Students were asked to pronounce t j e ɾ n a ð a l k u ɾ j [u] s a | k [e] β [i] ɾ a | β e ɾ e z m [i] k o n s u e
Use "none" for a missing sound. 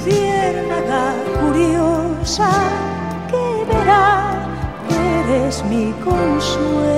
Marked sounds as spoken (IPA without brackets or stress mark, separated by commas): o, e, e, i